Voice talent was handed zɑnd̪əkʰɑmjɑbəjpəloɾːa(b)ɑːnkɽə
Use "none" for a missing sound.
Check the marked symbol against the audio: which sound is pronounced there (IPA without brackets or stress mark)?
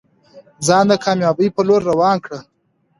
w